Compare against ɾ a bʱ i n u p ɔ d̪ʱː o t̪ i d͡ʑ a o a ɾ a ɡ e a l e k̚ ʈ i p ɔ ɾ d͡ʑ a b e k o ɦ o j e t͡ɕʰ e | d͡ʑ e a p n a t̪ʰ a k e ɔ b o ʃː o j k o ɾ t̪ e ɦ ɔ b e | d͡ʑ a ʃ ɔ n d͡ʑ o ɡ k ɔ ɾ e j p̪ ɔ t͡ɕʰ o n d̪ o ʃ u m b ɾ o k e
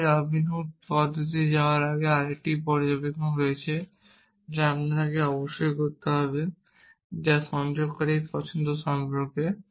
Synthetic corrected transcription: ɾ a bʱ i n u p ɔ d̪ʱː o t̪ i d͡ʑ a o a ɾ a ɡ e a ɾ e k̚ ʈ i p ɔ ɾ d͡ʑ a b e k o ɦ o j e t͡ɕʰ e | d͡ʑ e a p n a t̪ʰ a k e ɔ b o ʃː o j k o ɾ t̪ e ɦ ɔ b e | d͡ʑ a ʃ ɔ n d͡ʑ o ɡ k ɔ ɾ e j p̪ ɔ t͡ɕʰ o n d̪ o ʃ ɔ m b ɾ o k e